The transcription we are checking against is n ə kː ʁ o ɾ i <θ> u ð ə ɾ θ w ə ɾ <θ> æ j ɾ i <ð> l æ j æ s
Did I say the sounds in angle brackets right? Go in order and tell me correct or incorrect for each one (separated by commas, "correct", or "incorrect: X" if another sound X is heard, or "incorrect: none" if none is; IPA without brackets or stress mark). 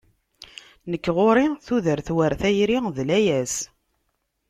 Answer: correct, correct, correct